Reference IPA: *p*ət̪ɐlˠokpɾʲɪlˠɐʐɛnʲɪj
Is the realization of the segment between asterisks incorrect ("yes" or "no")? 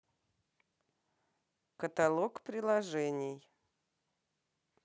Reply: yes